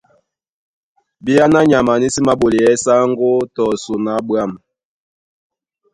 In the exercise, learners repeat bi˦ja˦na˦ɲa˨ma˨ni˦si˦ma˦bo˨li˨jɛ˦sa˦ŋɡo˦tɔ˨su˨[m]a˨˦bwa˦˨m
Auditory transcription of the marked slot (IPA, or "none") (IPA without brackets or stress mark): n